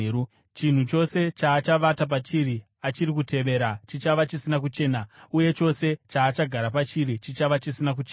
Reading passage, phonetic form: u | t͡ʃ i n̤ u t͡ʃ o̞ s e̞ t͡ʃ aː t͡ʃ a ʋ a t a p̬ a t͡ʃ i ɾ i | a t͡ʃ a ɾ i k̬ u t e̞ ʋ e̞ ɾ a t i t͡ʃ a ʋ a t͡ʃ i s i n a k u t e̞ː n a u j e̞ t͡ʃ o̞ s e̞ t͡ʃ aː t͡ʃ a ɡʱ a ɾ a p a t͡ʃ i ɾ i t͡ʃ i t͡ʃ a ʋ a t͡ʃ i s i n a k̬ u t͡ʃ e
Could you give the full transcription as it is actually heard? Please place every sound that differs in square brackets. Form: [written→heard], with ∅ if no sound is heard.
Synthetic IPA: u | t͡ʃ i n̤ u t͡ʃ o̞ s e̞ t͡ʃ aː t͡ʃ a ʋ a t a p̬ a t͡ʃ i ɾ i | a t͡ʃ [a→i] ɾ i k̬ u t e̞ ʋ e̞ ɾ a [t→t͡ʃ] i t͡ʃ a ʋ a t͡ʃ i s i n a k u [t→t͡ʃ] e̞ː n a u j e̞ t͡ʃ o̞ s e̞ t͡ʃ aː t͡ʃ a ɡʱ a ɾ a p a t͡ʃ i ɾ i t͡ʃ i t͡ʃ a ʋ a t͡ʃ i s i n a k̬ u t͡ʃ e

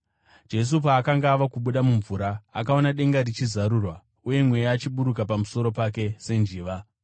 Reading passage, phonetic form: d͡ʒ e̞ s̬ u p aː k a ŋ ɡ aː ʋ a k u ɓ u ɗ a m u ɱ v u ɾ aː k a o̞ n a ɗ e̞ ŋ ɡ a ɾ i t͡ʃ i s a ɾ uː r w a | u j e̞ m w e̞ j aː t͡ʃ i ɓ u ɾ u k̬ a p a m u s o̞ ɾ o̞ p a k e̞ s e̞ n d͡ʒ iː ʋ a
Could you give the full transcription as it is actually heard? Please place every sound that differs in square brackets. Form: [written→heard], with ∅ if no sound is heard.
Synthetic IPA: d͡ʒ e̞ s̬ u p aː k a ŋ ɡ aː ʋ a k u ɓ u ɗ a m u ɱ v u ɾ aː k a o̞ n a ɗ e̞ ŋ ɡ a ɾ i t͡ʃ i [s→z] a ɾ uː r w a | u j e̞ m w e̞ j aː t͡ʃ i ɓ u ɾ u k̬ a p a m u s o̞ ɾ o̞ p a k e̞ s e̞ n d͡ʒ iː ʋ a

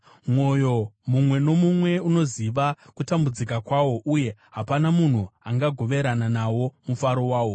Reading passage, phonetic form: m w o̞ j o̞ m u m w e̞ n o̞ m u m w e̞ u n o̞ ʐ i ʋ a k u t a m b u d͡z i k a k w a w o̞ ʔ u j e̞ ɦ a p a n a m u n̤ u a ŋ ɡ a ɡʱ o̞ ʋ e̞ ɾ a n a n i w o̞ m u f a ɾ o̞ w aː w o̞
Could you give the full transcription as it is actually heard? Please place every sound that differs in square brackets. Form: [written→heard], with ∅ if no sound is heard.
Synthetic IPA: m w o̞ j o̞ m u m w e̞ n o̞ m u m w e̞ u n o̞ [ʐ→z] i ʋ a k u t a m b u d͡z i k a k w a w o̞ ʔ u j e̞ ɦ a p a n a m u n̤ u a ŋ ɡ a ɡʱ o̞ ʋ e̞ ɾ a n a n [i→a] w o̞ m u f a ɾ o̞ w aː w o̞

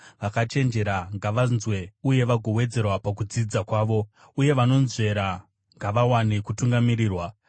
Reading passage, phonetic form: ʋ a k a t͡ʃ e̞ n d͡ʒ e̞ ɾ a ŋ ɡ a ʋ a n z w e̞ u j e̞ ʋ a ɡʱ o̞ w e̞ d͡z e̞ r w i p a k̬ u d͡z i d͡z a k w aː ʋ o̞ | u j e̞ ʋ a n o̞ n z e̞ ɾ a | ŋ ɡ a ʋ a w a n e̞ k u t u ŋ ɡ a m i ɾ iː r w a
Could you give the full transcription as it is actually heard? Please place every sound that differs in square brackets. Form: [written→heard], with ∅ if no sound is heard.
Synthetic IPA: ʋ a k a t͡ʃ e̞ n d͡ʒ e̞ ɾ a ŋ ɡ a ʋ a n z w e̞ u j e̞ ʋ a ɡʱ o̞ w e̞ d͡z e̞ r w [i→a] p a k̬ u d͡z i d͡z a k w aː ʋ o̞ | u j e̞ ʋ a n o̞ n z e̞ ɾ a | ŋ ɡ a ʋ a w a n e̞ k u t u ŋ ɡ a m i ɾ iː r w a

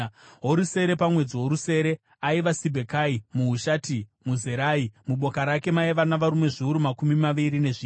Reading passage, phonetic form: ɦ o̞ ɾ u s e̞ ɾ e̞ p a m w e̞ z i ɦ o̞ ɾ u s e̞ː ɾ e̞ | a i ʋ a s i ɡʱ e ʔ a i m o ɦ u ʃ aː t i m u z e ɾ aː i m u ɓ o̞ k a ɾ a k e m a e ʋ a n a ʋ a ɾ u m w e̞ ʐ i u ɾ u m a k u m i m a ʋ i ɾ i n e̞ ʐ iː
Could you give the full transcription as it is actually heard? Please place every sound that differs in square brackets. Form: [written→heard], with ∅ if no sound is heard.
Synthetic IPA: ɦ o̞ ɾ u s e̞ ɾ e̞ p a m w e̞ [z→d͡z] i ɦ o̞ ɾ u s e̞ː ɾ e̞ | a i ʋ a s i [ɡʱ→bʱ] e [ʔ→k] a i m [o→u] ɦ u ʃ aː t i m u z e ɾ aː i m u ɓ o̞ k a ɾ a k e m a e ʋ a n a ʋ a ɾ u m w e̞ ʐ i u ɾ u m a k u m i m a ʋ i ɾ i n e̞ ʐ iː

